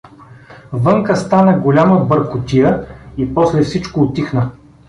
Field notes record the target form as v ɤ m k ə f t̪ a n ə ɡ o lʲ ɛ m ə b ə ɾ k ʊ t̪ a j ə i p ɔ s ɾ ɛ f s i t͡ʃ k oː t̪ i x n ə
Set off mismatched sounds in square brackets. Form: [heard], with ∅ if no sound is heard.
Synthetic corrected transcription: v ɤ [ŋ] k ə [s] t̪ a n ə ɡ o lʲ [a] m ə b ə ɾ k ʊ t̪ [i] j ə i p ɔ s [l] ɛ f s i t͡ʃ k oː t̪ i x n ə